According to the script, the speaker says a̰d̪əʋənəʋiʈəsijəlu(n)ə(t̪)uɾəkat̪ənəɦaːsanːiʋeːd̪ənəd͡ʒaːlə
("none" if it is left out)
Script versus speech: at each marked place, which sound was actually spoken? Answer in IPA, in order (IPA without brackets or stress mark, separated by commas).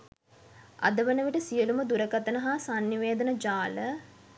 m, d̪